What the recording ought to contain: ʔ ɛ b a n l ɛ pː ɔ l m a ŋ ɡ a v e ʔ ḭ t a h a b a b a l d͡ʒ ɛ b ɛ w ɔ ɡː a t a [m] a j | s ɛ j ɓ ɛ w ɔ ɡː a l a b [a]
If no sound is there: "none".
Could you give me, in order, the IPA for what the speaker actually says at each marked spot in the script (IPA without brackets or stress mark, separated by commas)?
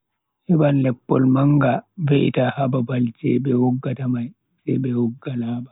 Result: m, a